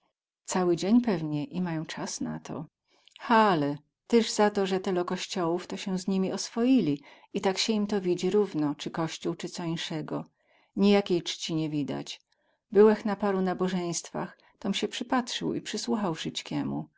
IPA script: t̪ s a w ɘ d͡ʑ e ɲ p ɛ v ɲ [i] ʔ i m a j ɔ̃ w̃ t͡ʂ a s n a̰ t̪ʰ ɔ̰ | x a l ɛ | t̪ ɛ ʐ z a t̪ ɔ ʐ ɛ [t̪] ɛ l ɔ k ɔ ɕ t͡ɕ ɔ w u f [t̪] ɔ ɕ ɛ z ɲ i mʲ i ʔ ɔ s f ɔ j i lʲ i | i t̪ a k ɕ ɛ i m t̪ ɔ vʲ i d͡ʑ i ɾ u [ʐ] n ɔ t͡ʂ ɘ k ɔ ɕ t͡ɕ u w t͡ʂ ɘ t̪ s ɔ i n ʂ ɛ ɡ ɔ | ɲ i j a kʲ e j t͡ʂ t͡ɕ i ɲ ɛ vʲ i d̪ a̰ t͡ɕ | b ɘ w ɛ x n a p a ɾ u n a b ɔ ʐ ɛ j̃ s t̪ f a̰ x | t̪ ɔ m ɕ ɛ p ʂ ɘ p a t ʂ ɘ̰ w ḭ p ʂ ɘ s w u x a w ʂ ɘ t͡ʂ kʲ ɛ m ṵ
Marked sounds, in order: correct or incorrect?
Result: incorrect, correct, correct, incorrect

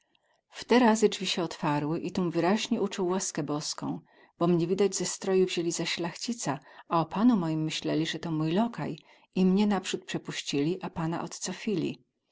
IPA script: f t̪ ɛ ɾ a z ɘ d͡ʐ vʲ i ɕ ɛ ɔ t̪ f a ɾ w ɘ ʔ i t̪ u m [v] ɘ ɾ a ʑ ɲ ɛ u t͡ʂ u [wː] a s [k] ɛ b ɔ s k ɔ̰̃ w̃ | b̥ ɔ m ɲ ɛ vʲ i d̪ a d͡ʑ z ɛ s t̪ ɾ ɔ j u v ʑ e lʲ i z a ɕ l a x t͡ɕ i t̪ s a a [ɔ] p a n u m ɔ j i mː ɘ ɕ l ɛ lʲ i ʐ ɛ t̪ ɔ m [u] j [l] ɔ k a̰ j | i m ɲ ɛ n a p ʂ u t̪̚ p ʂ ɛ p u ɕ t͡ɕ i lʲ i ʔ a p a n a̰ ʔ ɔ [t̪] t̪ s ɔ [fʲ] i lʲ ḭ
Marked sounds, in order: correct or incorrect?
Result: correct, correct, correct, correct, correct, correct, correct, correct

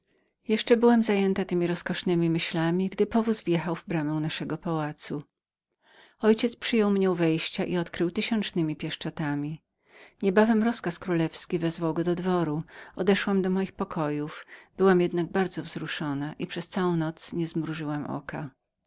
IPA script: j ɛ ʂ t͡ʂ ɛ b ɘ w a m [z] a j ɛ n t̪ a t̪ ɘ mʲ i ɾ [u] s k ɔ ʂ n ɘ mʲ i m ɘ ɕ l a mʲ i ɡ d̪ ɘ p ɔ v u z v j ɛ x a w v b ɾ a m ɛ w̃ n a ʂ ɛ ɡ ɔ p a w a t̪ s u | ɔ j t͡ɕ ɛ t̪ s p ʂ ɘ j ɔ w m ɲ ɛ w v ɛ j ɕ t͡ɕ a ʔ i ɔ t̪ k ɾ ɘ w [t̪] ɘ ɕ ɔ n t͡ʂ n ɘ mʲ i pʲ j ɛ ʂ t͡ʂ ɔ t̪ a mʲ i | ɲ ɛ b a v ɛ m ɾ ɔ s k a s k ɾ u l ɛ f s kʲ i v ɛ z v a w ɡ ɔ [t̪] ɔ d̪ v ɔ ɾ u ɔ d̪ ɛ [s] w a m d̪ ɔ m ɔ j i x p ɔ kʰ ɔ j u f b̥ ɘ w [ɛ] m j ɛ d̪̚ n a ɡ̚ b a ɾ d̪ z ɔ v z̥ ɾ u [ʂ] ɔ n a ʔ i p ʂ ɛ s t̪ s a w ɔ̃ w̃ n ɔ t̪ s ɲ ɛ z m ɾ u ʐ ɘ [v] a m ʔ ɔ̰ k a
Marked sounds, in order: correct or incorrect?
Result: correct, incorrect, correct, incorrect, incorrect, incorrect, correct, incorrect

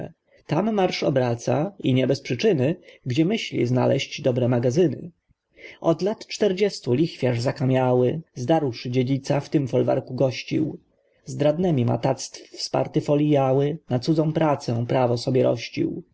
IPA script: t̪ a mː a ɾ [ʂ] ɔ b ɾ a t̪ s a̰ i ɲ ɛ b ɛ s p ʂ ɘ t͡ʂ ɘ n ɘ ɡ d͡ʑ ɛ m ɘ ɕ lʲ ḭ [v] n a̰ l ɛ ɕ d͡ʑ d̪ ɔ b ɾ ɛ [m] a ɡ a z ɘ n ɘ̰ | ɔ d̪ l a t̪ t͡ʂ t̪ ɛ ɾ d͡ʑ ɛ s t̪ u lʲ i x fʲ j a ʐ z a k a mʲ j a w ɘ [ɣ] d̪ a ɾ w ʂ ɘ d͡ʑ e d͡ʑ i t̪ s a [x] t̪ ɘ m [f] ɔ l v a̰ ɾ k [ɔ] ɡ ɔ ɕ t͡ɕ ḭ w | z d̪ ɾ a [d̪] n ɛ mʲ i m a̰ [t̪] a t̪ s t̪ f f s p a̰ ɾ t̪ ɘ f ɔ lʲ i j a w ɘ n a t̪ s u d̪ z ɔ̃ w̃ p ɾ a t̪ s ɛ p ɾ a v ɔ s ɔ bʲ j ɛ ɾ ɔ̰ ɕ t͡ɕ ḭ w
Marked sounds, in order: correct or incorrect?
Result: correct, incorrect, correct, incorrect, incorrect, correct, incorrect, correct, correct

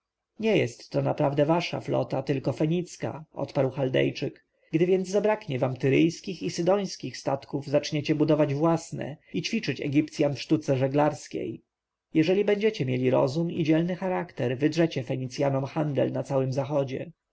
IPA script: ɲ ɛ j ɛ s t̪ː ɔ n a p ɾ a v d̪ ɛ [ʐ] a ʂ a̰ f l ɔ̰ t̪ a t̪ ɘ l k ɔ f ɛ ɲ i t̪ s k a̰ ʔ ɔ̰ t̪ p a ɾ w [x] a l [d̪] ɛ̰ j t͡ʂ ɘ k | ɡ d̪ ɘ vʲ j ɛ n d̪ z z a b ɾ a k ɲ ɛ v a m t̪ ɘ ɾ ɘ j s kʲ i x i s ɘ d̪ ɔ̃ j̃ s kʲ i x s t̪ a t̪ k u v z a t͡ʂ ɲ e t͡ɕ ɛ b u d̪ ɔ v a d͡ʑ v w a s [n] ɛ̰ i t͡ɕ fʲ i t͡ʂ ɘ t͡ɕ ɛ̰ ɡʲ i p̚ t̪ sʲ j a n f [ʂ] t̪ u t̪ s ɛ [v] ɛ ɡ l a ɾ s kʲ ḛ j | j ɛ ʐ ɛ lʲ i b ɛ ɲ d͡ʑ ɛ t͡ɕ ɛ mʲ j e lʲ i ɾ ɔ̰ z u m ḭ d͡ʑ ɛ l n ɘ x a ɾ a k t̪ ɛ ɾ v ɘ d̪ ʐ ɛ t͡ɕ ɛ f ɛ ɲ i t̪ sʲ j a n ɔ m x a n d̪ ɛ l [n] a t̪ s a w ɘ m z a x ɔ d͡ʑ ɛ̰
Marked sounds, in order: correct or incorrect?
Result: incorrect, correct, correct, correct, correct, incorrect, correct

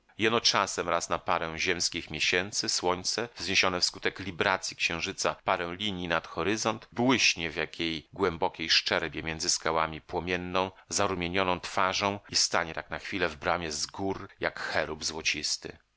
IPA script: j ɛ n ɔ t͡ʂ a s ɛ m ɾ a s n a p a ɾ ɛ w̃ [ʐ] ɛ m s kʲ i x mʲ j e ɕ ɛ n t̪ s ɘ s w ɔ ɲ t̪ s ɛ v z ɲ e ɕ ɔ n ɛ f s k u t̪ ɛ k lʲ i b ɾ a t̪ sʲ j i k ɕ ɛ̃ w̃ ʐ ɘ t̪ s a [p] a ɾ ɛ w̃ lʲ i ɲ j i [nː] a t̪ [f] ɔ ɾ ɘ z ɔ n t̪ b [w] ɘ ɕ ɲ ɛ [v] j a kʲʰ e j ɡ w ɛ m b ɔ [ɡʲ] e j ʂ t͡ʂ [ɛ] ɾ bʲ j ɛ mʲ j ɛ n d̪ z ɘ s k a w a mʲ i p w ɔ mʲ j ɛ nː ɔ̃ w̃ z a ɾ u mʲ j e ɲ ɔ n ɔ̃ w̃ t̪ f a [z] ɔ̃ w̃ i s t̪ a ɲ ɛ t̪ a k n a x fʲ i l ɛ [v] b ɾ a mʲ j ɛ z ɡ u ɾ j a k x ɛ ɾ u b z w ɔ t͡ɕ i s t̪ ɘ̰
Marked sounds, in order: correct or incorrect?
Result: incorrect, correct, incorrect, incorrect, correct, correct, incorrect, correct, incorrect, correct

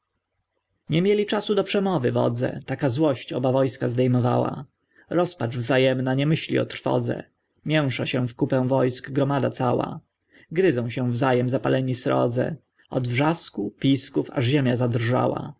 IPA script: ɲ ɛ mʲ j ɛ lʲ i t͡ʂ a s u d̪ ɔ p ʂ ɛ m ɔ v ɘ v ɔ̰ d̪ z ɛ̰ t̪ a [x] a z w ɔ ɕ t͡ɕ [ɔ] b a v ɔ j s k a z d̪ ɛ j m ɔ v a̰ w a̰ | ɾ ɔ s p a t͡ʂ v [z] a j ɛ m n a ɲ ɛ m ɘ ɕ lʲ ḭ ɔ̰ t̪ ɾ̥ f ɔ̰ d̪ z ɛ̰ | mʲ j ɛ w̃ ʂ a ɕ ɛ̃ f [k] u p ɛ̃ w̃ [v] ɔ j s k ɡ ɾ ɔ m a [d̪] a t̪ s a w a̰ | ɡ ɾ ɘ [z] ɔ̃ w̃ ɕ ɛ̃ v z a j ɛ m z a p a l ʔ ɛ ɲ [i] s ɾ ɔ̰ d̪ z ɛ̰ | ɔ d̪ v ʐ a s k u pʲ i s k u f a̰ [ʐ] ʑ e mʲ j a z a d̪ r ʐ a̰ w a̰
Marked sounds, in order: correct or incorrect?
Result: incorrect, correct, correct, correct, correct, correct, correct, correct, correct

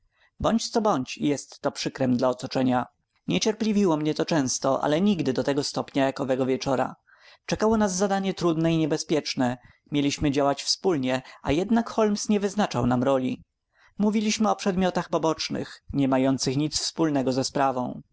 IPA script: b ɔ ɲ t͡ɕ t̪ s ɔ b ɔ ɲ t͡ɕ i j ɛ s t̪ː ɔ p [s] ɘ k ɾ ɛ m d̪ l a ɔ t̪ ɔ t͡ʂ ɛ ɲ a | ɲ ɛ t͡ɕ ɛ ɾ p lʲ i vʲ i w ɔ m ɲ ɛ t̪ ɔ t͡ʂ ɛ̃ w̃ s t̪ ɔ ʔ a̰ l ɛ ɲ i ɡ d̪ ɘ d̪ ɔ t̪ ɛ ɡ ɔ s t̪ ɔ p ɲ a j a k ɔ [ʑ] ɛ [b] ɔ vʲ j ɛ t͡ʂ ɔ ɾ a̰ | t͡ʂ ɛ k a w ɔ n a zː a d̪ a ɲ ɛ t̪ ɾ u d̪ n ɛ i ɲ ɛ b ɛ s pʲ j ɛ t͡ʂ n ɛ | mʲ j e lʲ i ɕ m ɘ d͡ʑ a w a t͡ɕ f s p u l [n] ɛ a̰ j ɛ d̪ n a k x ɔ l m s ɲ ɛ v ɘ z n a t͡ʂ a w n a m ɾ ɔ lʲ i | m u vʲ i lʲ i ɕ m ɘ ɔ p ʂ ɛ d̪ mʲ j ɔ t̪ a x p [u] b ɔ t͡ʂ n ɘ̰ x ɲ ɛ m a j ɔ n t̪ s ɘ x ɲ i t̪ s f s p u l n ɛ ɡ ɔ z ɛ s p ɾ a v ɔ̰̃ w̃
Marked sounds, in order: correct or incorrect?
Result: incorrect, incorrect, incorrect, incorrect, incorrect

